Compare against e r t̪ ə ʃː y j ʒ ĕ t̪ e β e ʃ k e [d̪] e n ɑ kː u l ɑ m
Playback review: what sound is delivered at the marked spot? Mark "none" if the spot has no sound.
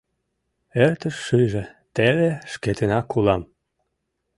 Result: t̪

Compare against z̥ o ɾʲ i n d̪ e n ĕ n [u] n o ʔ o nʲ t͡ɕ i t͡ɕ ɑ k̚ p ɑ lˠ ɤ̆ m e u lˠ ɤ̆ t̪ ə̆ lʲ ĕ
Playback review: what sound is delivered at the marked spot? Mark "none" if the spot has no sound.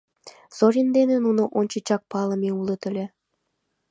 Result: u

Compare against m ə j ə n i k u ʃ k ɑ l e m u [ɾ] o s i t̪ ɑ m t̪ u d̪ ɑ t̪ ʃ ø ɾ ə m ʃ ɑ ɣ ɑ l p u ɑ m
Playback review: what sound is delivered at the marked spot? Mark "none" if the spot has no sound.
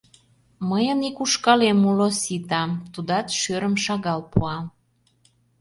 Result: l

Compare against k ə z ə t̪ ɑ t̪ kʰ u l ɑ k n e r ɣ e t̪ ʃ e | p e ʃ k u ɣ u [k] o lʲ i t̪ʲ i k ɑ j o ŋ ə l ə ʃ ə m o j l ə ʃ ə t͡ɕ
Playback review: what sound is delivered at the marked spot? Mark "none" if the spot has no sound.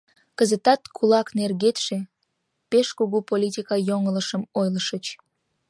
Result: p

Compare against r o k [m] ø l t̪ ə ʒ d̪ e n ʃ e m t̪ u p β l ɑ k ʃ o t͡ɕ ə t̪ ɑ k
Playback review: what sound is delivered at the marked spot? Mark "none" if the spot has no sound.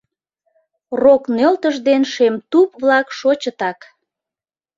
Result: n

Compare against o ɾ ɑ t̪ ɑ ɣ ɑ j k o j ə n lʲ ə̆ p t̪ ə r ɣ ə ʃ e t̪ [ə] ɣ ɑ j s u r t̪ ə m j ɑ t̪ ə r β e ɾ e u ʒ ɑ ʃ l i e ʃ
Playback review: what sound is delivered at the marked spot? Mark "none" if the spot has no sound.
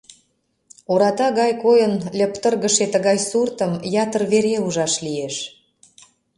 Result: ə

